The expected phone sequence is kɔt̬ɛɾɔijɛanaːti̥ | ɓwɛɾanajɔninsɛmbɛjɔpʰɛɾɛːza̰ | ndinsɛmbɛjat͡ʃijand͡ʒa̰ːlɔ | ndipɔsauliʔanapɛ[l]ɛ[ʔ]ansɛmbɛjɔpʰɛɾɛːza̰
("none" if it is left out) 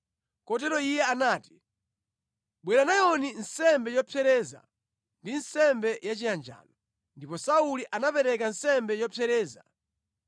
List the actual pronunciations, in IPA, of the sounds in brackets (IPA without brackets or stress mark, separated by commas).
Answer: ɾ, k